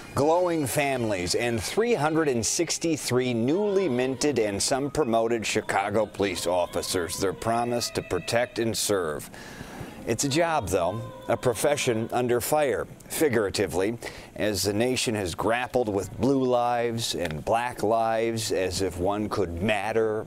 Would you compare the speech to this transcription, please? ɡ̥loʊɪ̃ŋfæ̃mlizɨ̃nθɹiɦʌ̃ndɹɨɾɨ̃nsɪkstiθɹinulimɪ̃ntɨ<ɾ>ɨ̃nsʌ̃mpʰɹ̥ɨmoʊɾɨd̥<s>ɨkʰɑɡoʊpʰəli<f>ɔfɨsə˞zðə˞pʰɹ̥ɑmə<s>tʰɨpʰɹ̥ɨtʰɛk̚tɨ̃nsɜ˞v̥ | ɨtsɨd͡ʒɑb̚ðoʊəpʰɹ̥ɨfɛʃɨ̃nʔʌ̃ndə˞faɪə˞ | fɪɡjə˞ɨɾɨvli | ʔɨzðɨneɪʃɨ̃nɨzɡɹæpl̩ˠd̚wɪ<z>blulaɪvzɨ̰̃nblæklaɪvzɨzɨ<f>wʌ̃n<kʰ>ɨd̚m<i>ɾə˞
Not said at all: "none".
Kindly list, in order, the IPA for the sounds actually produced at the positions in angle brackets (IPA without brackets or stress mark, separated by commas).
ɾ, ʃ, s, s, ð, f, kʰ, æ